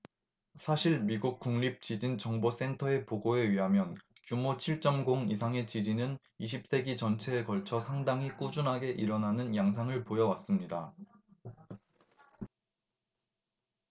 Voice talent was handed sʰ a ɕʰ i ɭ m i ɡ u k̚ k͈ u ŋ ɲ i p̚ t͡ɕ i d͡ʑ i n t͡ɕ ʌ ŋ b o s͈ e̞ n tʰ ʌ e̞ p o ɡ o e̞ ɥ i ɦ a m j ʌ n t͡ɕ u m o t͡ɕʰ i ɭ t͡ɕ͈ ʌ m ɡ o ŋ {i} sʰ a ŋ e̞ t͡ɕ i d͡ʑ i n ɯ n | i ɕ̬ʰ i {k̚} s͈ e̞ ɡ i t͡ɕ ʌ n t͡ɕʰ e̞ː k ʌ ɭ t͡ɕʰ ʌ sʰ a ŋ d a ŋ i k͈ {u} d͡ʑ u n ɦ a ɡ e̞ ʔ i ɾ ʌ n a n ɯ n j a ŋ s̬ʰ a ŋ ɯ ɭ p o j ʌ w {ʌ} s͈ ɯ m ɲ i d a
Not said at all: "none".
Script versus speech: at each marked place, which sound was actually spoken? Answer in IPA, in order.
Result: i, p̚, u, a

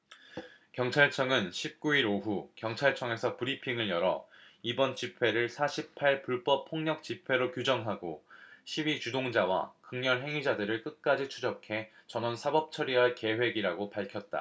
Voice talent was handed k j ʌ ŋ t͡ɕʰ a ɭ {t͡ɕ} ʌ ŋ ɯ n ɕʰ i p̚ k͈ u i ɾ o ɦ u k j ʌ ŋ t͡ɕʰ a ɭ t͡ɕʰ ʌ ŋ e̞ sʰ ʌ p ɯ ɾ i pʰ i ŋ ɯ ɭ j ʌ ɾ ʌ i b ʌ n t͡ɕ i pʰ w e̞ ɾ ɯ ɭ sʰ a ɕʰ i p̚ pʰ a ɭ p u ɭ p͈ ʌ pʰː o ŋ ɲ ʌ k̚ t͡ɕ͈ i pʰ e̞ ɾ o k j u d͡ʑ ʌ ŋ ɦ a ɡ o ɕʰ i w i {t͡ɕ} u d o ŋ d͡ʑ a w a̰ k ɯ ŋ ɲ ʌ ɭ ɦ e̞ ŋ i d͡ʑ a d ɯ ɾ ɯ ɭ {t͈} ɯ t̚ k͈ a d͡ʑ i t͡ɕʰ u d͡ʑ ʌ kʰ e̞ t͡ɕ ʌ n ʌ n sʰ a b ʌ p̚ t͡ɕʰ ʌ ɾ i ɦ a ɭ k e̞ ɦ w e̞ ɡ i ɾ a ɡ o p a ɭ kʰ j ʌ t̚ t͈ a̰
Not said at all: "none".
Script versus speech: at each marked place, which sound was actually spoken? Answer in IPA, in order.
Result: t͡ɕʰ, t͡ɕ, k͈

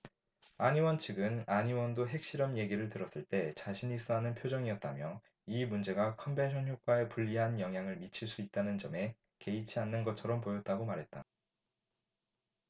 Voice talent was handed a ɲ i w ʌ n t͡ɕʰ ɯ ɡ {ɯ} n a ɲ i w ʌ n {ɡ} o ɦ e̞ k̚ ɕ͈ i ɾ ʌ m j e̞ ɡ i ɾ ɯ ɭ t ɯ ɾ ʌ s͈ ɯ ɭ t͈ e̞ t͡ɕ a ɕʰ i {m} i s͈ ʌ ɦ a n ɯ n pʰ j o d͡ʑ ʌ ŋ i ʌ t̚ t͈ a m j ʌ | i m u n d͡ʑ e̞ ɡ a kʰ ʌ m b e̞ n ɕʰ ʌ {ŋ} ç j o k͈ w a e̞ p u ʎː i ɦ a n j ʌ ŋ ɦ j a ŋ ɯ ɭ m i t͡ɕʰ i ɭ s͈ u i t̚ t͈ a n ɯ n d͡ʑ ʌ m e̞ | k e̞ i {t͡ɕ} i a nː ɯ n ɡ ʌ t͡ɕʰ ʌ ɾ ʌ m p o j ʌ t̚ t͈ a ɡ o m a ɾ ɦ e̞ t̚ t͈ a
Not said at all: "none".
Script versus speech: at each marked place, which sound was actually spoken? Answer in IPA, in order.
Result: ɯ, d, ɲ, n, t͡ɕʰ

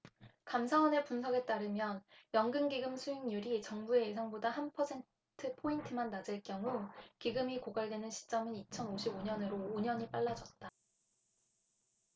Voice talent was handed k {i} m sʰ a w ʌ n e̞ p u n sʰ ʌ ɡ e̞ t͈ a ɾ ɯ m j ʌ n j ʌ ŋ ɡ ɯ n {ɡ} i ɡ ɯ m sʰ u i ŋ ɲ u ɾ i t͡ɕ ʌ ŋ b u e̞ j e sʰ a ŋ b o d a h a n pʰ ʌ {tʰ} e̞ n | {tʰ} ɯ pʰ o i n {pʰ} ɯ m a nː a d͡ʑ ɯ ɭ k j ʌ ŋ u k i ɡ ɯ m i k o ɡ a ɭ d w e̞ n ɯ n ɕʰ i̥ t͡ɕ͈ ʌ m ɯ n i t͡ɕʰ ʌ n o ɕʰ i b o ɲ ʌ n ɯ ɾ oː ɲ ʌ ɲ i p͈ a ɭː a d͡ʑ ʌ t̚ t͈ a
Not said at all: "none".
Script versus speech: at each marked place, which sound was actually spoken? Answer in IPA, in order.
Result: a, ɡ, sʰ, tʰ, tʰ

